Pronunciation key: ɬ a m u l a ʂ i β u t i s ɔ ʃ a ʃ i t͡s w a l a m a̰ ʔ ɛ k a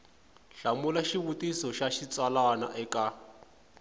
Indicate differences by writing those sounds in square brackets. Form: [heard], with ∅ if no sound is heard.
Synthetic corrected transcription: ɬ a m u l a [ʃ] i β u t i s ɔ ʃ a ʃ i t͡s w a l a [n] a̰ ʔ ɛ k a